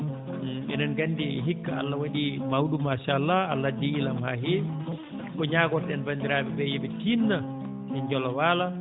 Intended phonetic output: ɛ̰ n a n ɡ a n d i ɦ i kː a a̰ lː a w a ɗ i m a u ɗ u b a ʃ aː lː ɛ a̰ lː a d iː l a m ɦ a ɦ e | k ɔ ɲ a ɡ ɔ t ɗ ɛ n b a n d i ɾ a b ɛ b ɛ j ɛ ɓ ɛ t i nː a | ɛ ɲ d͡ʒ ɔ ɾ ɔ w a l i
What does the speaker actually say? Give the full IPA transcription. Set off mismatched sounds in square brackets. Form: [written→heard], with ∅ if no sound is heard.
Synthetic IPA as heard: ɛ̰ n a n ɡ a n d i ɦ i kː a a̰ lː a w a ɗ i m a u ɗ u [b→m] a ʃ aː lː [ɛ→a] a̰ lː a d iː l a m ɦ a ɦ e | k ɔ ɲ a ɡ ɔ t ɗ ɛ n b a n d i ɾ a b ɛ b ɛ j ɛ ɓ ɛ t i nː a | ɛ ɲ d͡ʒ ɔ [ɾ→l] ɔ w a l [i→a]

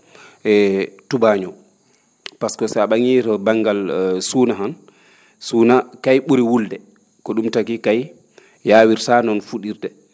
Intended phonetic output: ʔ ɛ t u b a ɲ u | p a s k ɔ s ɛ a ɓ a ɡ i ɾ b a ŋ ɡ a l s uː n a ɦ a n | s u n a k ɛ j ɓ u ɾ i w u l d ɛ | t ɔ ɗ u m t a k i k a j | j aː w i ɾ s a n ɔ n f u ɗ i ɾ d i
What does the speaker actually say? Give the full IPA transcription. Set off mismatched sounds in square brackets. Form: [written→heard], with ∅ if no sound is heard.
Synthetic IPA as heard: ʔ ɛ t u b a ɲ [u→ɔ] | p a s k ɔ s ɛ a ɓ a [ɡ→ŋ] i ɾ b a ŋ ɡ a l s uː n a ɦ a n | s u n a k [ɛ→a] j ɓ u ɾ i w u l d ɛ | [t→k] ɔ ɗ u m t a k i k a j | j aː w i ɾ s a n ɔ n f u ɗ i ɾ d [i→ɛ]

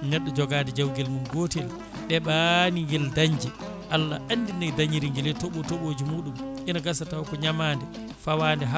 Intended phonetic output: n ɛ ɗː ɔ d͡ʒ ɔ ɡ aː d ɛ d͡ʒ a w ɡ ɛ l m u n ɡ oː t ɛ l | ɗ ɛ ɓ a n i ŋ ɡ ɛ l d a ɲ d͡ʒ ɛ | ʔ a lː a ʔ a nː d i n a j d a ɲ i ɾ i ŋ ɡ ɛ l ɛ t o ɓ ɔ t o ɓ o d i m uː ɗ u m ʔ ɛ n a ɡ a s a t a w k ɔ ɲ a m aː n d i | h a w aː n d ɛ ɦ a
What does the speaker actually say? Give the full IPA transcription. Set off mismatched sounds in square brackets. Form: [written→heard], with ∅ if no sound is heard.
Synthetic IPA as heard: n ɛ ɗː ɔ d͡ʒ ɔ ɡ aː d ɛ d͡ʒ a w ɡ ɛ l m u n ɡ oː t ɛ l | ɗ ɛ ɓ a n i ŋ ɡ ɛ l d a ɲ d͡ʒ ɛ | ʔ a lː a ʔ a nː d i n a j d a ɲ i ɾ i ŋ ɡ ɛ l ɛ t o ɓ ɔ t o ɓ o [d→d͡ʒ] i m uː ɗ u m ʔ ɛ n a ɡ a s a t a w k ɔ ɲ a m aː n d [i→ɛ] | [h→f] a w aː n d ɛ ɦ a

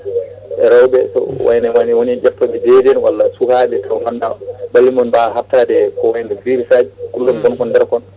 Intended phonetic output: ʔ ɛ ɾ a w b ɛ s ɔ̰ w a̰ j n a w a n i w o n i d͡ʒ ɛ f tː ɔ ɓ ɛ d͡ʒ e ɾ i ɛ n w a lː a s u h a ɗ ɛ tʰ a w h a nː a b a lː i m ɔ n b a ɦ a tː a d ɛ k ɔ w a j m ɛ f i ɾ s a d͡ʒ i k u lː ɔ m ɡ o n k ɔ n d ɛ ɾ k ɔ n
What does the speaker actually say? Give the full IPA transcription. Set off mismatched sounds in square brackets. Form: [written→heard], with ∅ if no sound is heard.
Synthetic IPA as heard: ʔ ɛ ɾ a w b ɛ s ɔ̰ w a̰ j n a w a n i w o n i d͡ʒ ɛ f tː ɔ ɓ ɛ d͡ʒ e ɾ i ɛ n w a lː a s u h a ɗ ɛ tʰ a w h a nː a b a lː i m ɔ n b a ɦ a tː a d ɛ k ɔ w a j [m→n] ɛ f i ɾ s a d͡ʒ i k u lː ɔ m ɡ [o→ɔ] n k ɔ n d ɛ ɾ k ɔ n

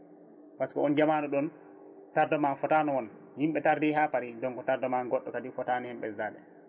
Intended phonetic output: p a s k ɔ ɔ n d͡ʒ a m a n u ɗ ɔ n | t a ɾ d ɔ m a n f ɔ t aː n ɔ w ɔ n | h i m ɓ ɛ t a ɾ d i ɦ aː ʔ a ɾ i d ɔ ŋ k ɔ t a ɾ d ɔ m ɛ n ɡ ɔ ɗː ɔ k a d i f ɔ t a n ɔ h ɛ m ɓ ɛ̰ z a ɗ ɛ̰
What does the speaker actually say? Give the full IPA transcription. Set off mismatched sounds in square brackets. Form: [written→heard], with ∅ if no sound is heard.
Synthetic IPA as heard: p a s k ɔ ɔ n d͡ʒ a m a n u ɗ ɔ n | t a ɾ d ɔ m a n f ɔ t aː n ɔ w ɔ n | h i m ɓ ɛ t a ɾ d i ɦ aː [ʔ→p] a ɾ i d ɔ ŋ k ɔ t a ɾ d ɔ m [ɛ→a] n ɡ ɔ ɗː ɔ k a d i f ɔ t a n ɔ h ɛ m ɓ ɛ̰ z a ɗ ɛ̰

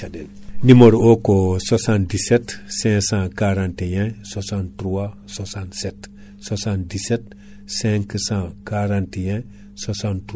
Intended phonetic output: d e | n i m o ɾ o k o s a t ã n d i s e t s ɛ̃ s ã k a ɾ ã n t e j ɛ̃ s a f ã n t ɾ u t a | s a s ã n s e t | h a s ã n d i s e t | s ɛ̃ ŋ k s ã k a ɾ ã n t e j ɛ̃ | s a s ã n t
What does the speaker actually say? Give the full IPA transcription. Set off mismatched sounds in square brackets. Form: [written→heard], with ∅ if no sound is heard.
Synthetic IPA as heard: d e | n i m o ɾ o k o s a [t→s] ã n d i s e t s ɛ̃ s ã k a ɾ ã n t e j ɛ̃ s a [f→s] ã n t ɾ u [t→∅] a | s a s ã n s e t | [h→s] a s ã n d i s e t | s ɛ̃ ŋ k s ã k a ɾ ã n t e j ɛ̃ | s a s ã n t

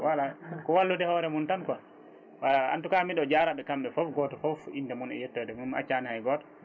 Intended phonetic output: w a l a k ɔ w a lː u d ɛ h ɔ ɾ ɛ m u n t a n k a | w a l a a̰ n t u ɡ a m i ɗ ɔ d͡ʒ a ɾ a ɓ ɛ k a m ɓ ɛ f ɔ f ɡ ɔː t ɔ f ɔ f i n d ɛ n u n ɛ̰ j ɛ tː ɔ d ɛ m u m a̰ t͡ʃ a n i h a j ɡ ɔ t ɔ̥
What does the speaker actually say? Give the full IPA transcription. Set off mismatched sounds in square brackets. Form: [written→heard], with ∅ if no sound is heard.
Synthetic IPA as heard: w a l a k ɔ w a lː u d ɛ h ɔ ɾ ɛ m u n t a n k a | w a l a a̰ n t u [ɡ→k] a m i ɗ ɔ d͡ʒ a ɾ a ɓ ɛ k a m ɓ ɛ f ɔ f ɡ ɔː t ɔ f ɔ f i n d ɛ [n→m] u n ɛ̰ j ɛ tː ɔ d ɛ m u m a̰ t͡ʃ a n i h a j ɡ ɔ t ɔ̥

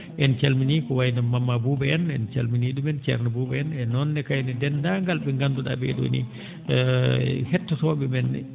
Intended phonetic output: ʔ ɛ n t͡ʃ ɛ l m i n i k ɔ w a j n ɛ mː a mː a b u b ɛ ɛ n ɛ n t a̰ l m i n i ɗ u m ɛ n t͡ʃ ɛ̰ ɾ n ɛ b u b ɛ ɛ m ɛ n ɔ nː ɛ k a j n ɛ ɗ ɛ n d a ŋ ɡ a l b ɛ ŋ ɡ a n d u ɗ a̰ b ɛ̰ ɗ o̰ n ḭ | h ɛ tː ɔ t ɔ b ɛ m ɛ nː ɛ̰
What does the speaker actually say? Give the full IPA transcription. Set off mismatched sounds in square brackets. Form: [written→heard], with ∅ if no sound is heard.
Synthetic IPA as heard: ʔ ɛ n t͡ʃ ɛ l m i n i k ɔ w a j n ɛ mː a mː a b u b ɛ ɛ n ɛ n [t→t͡ʃ] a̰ l m i n i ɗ u m ɛ n t͡ʃ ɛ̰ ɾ n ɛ b u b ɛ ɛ [m→n] ɛ n ɔ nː ɛ k a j n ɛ [ɗ→d] ɛ n d a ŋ ɡ a l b ɛ ŋ ɡ a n d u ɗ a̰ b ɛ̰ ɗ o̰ n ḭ | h ɛ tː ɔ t ɔ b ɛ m ɛ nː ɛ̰

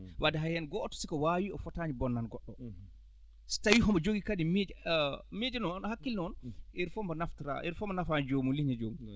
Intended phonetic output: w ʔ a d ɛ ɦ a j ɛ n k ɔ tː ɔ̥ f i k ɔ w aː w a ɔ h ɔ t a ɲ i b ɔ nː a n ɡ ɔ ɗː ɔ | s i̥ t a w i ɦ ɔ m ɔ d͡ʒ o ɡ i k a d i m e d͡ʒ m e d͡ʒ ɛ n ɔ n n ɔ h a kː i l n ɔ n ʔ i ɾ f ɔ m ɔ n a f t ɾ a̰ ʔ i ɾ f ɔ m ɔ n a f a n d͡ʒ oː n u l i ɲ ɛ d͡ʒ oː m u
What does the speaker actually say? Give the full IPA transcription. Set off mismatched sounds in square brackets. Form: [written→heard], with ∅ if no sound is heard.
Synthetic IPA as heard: w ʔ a d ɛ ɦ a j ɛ n [k→ɡ] ɔ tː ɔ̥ [f→s] i k ɔ w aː w [a→i] ɔ [h→f] ɔ t a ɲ i b ɔ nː a n ɡ ɔ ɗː ɔ | s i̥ t a w i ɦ ɔ m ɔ d͡ʒ o ɡ i k a d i m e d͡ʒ m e d͡ʒ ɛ n ɔ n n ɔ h a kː i l n ɔ n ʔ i ɾ f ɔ m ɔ n a f t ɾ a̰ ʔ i ɾ f ɔ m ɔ n a f a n d͡ʒ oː [n→m] u l i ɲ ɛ d͡ʒ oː m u

